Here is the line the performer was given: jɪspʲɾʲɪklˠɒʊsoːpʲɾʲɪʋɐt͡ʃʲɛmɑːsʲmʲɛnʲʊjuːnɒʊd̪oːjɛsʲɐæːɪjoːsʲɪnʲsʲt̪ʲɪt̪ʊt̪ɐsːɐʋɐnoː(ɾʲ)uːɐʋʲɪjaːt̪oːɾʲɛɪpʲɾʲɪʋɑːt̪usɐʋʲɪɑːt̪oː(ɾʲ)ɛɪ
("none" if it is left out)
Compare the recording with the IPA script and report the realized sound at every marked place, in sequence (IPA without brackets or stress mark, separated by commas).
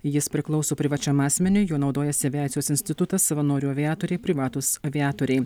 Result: ɾʲ, ɾʲ